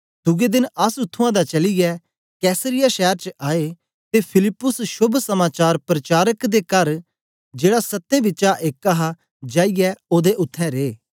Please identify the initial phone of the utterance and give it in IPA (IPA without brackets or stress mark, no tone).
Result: d̪